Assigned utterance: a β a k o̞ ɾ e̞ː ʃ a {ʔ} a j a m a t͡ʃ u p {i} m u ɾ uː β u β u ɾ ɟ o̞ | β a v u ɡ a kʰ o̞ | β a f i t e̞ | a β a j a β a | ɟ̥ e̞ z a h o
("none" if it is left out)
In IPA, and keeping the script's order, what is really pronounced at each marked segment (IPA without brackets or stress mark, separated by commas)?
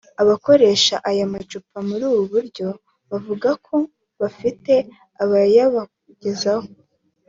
ʔ, a